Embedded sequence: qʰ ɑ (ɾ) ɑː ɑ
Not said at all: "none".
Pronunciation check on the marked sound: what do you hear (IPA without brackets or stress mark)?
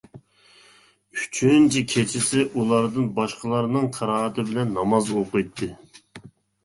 ɾ